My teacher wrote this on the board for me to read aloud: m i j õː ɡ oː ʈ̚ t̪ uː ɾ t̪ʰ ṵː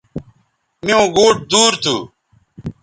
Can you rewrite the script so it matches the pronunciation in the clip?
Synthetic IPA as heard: m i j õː ɡ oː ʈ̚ d̪ uː ɾ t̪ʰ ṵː